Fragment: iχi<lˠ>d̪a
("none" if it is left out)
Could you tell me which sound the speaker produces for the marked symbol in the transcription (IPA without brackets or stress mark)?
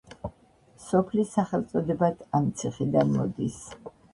none